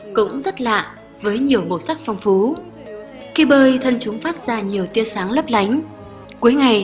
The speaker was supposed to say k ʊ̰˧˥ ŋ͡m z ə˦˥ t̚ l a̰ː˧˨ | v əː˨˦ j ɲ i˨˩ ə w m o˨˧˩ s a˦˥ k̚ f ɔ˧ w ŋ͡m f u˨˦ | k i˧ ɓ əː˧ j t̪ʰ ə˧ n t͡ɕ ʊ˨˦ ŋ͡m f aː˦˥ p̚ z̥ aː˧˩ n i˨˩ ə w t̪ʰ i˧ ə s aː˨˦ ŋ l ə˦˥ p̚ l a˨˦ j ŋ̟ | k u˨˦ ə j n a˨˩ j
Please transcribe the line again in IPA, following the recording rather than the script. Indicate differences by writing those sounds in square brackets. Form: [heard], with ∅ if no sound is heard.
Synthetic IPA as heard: k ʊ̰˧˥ ŋ͡m z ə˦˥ t̚ l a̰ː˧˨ | v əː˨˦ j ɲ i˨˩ ə w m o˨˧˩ s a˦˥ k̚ f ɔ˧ w ŋ͡m f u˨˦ | k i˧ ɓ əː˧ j t̪ʰ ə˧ n t͡ɕ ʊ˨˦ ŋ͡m f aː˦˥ [t̚] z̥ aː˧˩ [ɲ] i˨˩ ə w [t̪] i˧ ə s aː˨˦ ŋ l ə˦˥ p̚ l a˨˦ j ŋ̟ | k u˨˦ ə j [ŋ] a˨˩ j

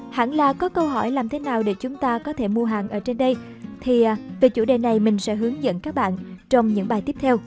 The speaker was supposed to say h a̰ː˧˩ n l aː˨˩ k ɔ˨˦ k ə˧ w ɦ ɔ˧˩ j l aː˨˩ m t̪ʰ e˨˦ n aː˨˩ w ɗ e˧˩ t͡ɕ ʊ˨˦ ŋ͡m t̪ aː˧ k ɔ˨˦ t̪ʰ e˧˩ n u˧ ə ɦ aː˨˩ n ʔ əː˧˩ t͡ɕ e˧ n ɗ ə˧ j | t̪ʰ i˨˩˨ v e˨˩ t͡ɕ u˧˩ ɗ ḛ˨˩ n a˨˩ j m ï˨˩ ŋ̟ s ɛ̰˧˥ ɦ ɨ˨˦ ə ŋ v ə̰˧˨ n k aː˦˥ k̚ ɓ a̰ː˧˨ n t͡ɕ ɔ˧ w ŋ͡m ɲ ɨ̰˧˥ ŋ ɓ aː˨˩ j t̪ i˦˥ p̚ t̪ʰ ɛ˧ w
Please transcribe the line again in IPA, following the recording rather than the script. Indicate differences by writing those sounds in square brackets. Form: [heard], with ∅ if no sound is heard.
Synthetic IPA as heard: h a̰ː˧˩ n l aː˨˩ k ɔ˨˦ k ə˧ w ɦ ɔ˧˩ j l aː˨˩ m t̪ʰ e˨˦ n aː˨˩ w ɗ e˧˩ t͡ɕ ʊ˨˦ ŋ͡m t̪ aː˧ k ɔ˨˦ t̪ʰ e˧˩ [m] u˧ ə ɦ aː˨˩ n ʔ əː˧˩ t͡ɕ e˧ n ɗ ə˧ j | t̪ʰ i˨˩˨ v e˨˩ t͡ɕ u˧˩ ɗ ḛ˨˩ n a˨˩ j m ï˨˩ ŋ̟ s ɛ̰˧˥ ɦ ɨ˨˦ ə ŋ [z] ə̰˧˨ n k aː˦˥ k̚ ɓ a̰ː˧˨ n t͡ɕ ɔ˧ w ŋ͡m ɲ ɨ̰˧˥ ŋ ɓ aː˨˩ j t̪ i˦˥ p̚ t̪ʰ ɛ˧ w

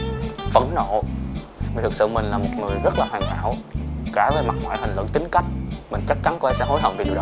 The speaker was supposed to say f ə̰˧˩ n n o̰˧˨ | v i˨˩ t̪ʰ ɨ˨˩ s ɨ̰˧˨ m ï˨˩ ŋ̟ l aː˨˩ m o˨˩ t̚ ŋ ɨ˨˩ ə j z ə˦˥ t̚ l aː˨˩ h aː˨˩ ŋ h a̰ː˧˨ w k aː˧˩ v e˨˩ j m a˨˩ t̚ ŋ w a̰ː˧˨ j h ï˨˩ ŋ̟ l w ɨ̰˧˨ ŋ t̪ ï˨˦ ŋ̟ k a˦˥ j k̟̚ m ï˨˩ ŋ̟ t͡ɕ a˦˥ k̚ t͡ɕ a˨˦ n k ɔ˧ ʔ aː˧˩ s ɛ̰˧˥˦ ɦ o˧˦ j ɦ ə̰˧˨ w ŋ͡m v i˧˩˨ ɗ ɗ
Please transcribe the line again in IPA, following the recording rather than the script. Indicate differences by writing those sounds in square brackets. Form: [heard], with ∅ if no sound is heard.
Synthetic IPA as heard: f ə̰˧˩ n n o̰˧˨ | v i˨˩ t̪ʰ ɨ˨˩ s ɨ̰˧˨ m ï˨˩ ŋ̟ l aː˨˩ m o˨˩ t̚ ŋ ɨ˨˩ ə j z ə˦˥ t̚ l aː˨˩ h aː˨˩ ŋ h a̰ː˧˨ w k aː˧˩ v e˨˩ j m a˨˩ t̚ ŋ w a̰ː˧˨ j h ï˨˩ ŋ̟ l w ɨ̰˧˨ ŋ t̪ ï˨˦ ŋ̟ k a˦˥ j k̟̚ m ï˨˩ ŋ̟ t͡ɕ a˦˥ k̚ t͡ɕ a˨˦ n k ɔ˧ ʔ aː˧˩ s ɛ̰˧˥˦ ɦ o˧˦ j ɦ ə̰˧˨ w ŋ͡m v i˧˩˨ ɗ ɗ

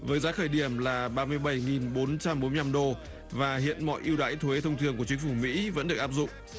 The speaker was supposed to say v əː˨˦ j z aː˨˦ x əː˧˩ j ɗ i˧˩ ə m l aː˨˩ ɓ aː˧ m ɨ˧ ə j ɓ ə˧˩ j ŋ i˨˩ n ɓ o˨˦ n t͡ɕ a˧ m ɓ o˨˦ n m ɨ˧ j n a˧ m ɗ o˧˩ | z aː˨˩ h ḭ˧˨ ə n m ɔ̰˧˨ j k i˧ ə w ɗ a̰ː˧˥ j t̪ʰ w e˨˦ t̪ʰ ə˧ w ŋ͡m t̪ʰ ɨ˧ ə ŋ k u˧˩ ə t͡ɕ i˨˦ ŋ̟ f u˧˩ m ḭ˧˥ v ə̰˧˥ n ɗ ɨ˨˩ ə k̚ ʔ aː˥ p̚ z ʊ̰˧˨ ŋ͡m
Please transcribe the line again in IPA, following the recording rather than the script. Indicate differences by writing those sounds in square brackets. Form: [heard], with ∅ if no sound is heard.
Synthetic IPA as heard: v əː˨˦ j z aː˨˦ x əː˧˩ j ɗ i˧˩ ə m l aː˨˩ ɓ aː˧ m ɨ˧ ə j ɓ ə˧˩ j ŋ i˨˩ n ɓ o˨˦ n t͡ɕ a˧ m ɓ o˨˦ n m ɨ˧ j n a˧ m ɗ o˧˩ | [v] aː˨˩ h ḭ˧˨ ə n m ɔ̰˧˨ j [ʔ] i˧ ə w ɗ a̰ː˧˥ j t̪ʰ w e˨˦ t̪ʰ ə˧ w ŋ͡m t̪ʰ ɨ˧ ə ŋ k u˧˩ ə t͡ɕ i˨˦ ŋ̟ f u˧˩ m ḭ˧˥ v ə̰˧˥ n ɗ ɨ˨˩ ə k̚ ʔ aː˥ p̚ z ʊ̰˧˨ ŋ͡m

